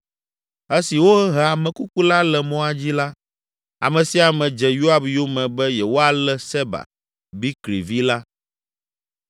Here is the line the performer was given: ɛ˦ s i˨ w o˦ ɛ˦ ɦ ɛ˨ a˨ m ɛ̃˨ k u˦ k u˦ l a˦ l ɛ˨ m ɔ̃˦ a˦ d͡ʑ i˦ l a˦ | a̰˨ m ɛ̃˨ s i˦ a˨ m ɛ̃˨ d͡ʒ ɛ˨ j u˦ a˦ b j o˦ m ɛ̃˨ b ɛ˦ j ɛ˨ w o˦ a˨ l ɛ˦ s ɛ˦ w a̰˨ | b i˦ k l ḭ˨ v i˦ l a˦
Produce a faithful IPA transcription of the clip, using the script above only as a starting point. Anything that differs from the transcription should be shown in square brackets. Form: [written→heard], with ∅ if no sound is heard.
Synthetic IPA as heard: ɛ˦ s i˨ w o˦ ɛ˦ ɦ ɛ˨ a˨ m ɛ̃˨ k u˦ k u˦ l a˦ l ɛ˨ m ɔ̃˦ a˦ d͡ʑ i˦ l a˦ | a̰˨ m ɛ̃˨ s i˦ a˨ m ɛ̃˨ d͡ʒ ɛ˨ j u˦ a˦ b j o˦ m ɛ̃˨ b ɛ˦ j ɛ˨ w o˦ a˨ l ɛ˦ s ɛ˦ [w→b] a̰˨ | b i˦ k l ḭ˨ v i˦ l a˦